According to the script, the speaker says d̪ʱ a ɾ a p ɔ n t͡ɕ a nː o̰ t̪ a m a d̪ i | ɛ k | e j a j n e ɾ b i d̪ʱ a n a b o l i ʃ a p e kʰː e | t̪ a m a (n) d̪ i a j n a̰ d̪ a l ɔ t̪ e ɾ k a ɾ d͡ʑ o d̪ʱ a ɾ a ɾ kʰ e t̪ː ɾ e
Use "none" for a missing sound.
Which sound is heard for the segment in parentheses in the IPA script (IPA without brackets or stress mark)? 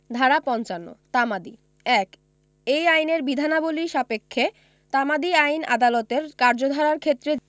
none